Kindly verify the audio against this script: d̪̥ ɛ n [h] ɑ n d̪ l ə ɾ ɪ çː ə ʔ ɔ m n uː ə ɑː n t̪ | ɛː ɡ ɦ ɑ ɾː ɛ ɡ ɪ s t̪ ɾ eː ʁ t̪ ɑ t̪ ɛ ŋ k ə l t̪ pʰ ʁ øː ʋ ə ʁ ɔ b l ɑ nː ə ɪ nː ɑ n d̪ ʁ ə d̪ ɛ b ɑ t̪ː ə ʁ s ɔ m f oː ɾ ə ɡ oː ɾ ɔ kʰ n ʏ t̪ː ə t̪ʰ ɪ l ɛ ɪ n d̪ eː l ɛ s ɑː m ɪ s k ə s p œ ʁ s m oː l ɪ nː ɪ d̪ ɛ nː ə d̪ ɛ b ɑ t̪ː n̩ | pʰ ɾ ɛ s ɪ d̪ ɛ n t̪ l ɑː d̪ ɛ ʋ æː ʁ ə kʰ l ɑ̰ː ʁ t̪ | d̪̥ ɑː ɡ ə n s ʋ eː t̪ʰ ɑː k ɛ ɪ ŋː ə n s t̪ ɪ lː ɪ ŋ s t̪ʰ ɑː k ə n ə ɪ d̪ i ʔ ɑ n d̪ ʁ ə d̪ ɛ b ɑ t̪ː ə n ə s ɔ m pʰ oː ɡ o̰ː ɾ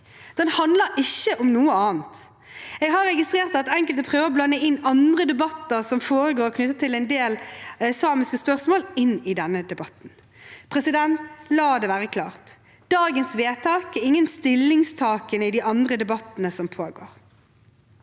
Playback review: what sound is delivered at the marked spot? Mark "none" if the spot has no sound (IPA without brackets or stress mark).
h